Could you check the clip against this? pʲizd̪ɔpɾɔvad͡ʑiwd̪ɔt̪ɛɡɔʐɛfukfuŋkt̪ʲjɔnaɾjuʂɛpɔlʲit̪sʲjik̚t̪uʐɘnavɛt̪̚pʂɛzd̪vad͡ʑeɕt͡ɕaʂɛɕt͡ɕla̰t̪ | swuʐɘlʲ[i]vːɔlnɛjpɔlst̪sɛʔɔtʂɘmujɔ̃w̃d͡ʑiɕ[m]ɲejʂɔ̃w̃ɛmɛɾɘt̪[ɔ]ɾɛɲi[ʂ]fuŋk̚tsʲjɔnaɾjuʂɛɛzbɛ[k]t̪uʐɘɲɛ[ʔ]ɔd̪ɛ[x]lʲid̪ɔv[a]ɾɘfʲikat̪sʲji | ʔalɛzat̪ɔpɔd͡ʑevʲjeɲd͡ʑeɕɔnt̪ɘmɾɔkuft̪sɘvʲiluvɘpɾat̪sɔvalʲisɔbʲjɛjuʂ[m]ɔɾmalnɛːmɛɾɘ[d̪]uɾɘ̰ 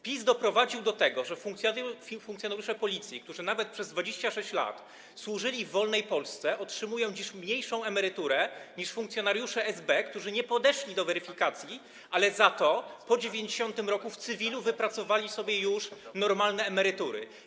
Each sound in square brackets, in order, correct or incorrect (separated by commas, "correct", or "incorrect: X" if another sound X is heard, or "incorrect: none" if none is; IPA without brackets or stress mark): correct, correct, incorrect: u, correct, correct, incorrect: p, incorrect: ʂ, incorrect: ɛ, incorrect: n, incorrect: t̪